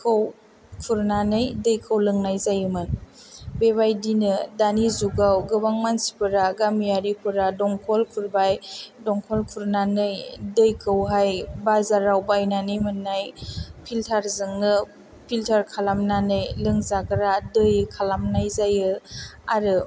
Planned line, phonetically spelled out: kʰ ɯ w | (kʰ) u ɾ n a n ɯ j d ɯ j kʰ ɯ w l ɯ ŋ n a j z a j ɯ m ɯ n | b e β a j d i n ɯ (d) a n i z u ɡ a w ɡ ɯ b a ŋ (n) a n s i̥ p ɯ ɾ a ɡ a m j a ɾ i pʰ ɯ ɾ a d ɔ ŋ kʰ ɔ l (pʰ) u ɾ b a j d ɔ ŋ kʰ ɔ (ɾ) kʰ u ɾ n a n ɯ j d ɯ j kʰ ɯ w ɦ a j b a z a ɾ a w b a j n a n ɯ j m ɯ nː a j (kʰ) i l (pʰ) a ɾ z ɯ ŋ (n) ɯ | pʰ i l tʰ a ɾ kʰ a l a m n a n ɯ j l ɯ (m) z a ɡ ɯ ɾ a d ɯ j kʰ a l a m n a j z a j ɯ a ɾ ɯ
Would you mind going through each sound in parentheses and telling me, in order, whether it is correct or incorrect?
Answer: correct, correct, incorrect: m, incorrect: kʰ, incorrect: l, incorrect: pʰ, incorrect: tʰ, correct, incorrect: ŋ

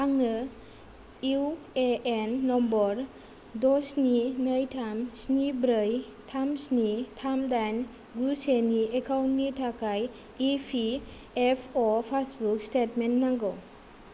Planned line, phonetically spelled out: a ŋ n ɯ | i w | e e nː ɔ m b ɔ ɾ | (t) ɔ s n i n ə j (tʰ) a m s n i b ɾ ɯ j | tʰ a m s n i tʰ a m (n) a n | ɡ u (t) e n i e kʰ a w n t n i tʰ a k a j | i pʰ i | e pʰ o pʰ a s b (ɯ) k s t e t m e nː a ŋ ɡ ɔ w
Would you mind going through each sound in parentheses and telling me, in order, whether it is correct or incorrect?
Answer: incorrect: d, correct, incorrect: d, incorrect: s, incorrect: u

